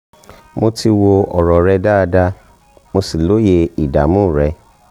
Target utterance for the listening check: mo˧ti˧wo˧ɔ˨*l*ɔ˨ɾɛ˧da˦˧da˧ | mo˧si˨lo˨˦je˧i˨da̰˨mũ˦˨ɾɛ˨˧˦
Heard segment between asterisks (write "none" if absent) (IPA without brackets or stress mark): ɾ